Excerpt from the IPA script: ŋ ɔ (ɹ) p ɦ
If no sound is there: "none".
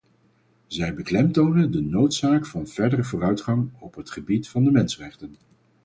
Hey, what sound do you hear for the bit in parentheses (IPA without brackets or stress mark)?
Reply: none